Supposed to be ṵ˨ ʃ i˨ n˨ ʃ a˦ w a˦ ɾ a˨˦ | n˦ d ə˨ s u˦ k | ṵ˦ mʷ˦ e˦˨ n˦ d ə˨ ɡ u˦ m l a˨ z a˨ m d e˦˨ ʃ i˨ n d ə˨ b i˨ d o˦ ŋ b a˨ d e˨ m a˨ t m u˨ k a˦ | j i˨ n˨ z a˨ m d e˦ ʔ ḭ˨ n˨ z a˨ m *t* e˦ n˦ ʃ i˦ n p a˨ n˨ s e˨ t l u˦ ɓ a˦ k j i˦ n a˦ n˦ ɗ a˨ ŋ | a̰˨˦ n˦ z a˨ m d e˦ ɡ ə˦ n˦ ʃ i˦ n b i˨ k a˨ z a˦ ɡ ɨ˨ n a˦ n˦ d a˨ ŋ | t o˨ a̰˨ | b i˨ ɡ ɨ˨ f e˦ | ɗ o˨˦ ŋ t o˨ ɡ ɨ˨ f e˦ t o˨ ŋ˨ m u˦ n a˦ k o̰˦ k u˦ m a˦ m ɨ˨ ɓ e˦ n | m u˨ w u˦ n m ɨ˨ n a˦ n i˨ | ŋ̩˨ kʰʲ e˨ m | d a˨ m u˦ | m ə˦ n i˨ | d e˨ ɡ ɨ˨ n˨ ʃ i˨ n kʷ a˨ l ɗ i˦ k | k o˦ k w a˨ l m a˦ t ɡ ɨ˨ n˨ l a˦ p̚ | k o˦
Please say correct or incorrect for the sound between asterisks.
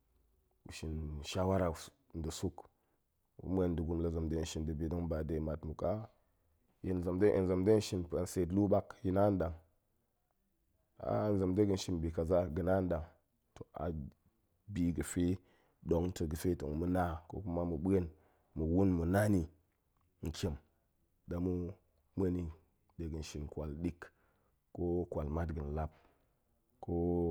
incorrect